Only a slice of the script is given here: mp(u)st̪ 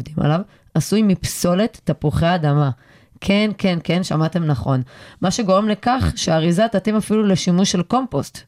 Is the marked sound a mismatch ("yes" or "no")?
yes